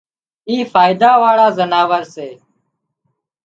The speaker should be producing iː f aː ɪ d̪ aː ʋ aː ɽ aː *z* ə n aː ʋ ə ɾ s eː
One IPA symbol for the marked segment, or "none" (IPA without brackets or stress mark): z